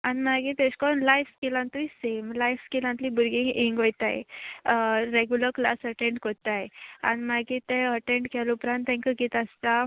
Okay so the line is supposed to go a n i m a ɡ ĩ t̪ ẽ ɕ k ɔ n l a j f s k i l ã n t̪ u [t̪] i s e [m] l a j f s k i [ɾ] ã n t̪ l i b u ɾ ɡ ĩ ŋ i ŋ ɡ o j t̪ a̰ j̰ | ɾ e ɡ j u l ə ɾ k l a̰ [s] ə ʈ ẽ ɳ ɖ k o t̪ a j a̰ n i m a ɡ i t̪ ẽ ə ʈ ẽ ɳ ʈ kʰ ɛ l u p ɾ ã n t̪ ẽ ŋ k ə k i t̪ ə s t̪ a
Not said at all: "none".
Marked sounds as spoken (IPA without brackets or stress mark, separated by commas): none, m, l, s